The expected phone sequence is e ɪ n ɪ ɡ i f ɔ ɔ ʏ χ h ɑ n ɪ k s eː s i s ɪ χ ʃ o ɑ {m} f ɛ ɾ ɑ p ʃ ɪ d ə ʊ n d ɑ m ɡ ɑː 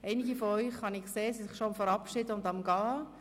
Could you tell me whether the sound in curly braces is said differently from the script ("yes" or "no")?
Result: no